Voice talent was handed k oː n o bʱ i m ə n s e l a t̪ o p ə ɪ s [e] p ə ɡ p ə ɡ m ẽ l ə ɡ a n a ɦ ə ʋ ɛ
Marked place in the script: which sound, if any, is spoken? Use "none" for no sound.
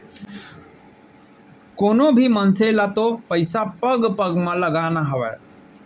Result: a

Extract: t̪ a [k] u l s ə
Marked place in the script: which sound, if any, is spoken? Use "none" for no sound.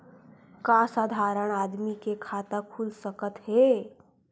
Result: kʰ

